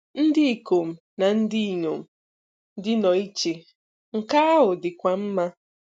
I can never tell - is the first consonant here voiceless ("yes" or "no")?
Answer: no